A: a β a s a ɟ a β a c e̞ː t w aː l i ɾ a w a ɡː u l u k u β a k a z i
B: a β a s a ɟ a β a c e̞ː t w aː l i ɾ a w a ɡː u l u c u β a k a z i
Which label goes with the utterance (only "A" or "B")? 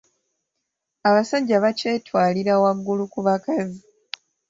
A